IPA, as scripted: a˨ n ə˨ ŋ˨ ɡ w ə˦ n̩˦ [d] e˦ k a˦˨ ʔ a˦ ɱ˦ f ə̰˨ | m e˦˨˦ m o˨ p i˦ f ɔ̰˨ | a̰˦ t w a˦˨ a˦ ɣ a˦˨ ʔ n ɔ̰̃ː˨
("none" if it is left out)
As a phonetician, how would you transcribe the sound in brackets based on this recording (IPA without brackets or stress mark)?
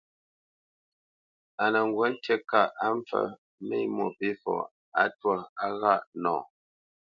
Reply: t